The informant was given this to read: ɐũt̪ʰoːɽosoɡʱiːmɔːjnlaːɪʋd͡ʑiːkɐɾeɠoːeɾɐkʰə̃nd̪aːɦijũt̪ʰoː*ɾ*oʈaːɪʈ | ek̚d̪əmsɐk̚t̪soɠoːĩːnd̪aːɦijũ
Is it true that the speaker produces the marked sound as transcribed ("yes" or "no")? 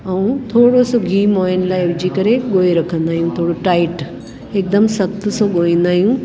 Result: no